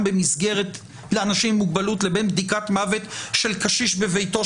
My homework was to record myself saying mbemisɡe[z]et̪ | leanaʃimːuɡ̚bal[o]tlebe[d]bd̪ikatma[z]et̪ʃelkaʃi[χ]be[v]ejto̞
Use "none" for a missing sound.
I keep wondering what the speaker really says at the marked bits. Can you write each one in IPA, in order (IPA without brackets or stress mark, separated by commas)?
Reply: ʁ, u, n, v, ʃ, v